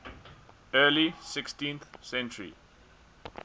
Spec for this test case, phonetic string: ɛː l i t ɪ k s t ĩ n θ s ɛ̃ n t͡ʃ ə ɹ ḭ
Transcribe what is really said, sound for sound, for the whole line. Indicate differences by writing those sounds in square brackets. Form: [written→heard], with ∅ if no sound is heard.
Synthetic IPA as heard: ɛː l i [t→s] ɪ k s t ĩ n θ s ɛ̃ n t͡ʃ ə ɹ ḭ